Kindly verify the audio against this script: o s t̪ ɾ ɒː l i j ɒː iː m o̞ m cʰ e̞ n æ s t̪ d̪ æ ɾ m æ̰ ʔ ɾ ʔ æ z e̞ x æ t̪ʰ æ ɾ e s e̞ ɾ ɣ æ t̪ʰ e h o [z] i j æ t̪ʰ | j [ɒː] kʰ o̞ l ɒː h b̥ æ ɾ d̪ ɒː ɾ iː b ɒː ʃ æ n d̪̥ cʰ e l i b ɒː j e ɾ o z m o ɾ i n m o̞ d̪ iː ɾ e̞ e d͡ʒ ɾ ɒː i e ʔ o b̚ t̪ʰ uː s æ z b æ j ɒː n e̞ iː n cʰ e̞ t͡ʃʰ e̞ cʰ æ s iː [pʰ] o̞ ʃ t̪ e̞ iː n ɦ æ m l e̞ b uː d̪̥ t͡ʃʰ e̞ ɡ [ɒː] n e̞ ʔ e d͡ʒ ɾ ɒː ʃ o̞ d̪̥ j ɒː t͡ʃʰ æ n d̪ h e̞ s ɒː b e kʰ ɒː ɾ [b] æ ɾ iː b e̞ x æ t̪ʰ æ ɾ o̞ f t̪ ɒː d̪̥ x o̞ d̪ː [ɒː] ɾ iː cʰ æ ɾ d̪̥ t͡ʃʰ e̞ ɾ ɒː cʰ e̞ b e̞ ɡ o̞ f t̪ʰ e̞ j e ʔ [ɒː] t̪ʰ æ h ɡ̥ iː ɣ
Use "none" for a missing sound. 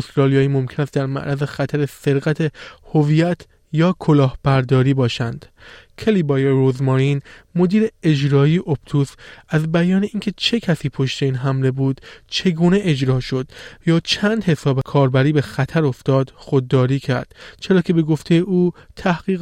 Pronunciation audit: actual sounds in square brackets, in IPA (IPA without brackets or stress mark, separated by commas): v, ɒː, pʰ, uː, b, ɒː, uː